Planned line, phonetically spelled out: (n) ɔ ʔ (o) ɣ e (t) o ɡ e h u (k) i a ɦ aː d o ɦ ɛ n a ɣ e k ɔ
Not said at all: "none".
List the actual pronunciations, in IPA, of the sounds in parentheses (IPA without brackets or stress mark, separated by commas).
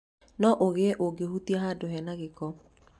n, o, ʔ, t